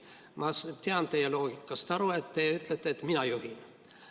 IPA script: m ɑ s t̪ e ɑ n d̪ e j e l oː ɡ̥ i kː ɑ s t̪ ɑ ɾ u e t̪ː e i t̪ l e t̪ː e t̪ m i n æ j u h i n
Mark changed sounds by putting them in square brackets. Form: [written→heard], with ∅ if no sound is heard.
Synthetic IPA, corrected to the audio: m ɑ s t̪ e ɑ n [d̪→t̪] e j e l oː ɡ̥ i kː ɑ s t̪ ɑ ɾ u e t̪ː e [i→y] t̪ l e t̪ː e t̪ m i n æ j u h i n